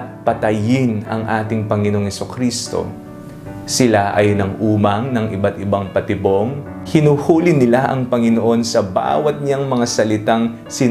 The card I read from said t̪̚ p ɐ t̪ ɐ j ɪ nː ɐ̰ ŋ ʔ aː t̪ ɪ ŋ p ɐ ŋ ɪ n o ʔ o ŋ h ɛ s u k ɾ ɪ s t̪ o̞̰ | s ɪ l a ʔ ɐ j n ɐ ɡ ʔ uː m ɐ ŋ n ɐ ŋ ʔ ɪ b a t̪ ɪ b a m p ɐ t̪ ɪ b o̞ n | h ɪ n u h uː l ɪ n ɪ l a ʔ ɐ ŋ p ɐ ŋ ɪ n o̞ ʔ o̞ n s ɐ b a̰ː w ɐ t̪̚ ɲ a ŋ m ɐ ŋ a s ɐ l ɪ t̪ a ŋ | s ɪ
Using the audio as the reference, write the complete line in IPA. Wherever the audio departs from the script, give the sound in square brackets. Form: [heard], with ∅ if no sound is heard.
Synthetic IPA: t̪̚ p ɐ t̪ ɐ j ɪ [n] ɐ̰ ŋ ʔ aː t̪ ɪ ŋ p ɐ ŋ ɪ n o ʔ o ŋ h ɛ s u k ɾ [i] s t̪ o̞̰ | s ɪ l a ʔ ɐ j n ɐ [ŋ] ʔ uː m ɐ ŋ n ɐ ŋ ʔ ɪ b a t̪ ɪ b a [ŋ] p ɐ t̪ ɪ b o̞ [ŋ] | h ɪ n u h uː l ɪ n ɪ l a ʔ ɐ ŋ p ɐ ŋ ɪ n o̞ ʔ o̞ n s ɐ b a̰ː w ɐ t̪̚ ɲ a ŋ m ɐ ŋ a s ɐ l ɪ t̪ a ŋ | s ɪ